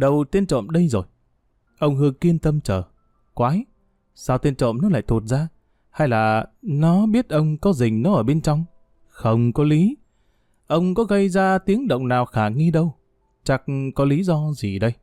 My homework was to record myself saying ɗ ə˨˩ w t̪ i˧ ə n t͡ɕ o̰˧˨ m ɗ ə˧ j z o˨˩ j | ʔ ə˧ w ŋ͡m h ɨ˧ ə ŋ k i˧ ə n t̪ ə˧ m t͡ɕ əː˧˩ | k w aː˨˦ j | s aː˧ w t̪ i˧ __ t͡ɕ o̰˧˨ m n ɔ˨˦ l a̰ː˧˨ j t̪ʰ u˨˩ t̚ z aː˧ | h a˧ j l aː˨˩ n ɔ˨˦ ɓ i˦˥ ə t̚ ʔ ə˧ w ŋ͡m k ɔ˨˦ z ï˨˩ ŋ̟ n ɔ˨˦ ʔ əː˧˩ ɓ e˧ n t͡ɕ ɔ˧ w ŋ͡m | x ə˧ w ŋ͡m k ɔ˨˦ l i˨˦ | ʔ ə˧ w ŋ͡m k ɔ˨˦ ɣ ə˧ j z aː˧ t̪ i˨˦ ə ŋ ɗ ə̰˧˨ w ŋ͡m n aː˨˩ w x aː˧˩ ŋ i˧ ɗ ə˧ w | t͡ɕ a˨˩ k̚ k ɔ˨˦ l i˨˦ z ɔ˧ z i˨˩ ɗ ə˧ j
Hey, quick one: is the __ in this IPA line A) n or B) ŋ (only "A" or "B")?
A